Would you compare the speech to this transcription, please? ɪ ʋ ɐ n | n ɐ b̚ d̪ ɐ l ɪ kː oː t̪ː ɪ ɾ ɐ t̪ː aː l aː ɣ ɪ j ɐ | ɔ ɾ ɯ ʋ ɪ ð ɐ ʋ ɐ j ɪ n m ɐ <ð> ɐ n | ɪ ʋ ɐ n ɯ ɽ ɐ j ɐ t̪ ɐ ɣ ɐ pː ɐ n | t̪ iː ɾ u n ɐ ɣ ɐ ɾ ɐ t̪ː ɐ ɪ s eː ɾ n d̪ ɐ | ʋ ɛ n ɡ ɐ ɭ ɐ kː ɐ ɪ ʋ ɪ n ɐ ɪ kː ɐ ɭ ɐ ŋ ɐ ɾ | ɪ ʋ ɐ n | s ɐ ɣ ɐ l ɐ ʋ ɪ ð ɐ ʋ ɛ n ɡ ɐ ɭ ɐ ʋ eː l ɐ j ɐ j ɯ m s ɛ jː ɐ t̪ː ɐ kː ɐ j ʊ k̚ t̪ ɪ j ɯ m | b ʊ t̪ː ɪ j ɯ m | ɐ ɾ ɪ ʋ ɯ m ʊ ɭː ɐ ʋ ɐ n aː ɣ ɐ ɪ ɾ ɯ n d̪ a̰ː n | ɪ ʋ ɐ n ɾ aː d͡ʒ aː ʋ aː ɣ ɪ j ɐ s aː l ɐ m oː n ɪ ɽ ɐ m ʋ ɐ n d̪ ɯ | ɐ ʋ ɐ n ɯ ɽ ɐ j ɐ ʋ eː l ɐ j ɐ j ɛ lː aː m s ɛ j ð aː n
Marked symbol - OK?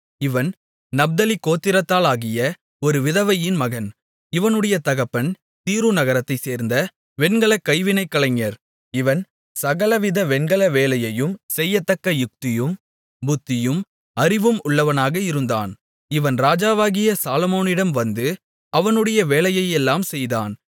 no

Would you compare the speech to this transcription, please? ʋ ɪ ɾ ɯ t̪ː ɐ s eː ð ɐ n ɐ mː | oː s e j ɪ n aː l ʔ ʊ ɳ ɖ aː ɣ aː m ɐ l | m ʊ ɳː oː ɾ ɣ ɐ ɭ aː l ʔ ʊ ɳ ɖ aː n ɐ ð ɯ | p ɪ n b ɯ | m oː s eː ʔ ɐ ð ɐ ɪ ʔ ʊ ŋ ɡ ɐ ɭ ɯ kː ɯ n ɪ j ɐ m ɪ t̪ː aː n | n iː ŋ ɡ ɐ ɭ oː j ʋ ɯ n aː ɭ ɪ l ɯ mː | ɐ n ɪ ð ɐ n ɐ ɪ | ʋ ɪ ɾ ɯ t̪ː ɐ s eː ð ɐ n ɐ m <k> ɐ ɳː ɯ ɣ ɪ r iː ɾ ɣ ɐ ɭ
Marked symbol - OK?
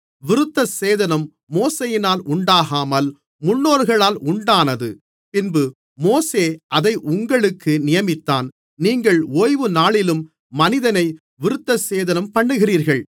no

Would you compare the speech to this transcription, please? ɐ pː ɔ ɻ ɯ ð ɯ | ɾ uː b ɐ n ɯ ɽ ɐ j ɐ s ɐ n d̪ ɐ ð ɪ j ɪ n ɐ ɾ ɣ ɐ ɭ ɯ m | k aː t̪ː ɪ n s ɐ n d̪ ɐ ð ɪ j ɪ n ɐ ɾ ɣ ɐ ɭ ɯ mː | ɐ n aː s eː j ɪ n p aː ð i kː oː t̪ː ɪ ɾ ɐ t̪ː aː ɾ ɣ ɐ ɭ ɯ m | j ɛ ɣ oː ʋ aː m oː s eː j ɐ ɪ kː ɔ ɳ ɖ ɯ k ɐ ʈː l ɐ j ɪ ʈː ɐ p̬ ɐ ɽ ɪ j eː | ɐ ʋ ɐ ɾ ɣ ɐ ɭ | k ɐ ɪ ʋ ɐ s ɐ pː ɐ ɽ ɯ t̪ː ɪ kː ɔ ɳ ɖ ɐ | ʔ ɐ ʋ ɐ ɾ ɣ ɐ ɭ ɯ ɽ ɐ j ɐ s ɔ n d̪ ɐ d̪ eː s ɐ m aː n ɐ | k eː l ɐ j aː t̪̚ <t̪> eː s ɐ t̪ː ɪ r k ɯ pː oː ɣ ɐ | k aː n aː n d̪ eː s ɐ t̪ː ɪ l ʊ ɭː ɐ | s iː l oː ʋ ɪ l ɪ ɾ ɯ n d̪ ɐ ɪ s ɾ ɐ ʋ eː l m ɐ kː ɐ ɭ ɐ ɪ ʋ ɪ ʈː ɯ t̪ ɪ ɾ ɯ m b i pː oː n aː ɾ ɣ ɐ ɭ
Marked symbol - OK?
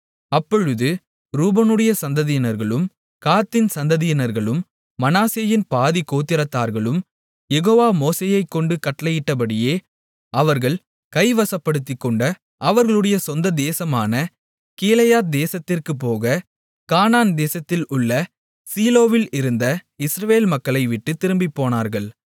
no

